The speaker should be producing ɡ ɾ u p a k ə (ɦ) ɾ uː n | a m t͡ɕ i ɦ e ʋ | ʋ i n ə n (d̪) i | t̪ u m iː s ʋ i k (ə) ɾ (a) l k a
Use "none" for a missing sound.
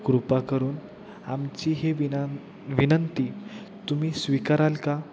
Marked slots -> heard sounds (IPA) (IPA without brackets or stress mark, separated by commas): none, t̪, a, a